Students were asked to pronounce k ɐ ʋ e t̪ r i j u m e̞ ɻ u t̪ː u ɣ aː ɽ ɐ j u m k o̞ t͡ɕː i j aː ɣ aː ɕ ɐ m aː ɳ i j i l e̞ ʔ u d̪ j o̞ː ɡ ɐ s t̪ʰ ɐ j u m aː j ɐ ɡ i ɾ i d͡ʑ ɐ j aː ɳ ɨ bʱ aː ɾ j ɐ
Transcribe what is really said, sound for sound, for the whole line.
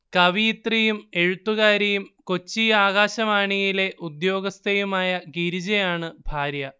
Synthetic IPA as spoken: k ɐ ʋ i t̪ r i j u m e̞ ɻ u t̪ː u ɣ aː ɾ ɐ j u m k o̞ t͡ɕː i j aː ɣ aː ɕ ɐ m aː ɳ i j i l e̞ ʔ u d̪ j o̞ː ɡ ɐ s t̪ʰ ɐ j u m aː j ɐ ɡ i ɾ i d͡ʑ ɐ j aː ɳ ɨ bʱ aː ɾ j ɐ

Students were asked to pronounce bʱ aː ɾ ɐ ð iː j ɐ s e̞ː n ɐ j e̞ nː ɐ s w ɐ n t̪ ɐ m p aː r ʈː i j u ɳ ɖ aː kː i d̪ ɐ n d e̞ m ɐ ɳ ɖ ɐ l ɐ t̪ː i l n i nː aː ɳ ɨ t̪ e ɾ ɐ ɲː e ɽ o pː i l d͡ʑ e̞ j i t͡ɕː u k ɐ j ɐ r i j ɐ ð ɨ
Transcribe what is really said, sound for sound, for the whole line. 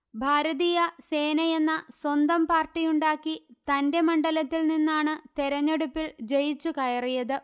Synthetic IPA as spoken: bʱ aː ɾ ɐ ð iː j ɐ s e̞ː n ɐ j e̞ nː ɐ s w ɐ n d̪ ɐ m p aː r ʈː i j u ɳ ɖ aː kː i t̪ ɐ n d e̞ m ɐ ɳ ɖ ɐ l ɐ t̪ː i l n i nː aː ɳ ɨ t̪ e ɾ ɐ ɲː e ɽ u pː i l d͡ʑ e̞ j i t͡ɕː u k ɐ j ɐ r i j ɐ ð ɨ

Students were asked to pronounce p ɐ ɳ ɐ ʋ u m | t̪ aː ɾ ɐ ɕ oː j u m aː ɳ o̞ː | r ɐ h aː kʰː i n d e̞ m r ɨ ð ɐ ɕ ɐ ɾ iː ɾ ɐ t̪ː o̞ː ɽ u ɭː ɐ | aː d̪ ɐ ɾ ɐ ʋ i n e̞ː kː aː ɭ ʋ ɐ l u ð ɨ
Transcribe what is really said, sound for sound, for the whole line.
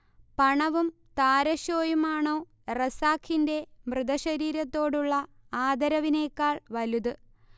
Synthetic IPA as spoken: p ɐ ɳ ɐ ʋ u m | t̪ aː ɾ ɐ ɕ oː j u m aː ɳ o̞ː | r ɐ s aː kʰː i n d e̞ m r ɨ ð ɐ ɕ ɐ ɾ iː ɾ ɐ t̪ː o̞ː ɽ u ɭː ɐ | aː d̪ ɐ ɾ ɐ ʋ i n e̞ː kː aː ɭ ʋ ɐ l u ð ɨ

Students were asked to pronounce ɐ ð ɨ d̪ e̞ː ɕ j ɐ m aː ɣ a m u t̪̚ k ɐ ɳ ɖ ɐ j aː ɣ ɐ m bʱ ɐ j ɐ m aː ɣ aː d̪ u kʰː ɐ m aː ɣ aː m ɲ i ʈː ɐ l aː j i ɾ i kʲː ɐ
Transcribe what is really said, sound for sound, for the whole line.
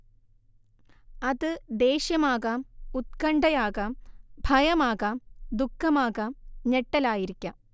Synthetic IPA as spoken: ɐ ð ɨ d̪ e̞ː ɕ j ɐ m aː ɣ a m u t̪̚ k ɐ ɳ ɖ ɐ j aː ɣ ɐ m bʱ ɐ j ɐ m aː ɣ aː d̪ u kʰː ɐ m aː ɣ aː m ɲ e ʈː ɐ l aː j i ɾ i kʲː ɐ

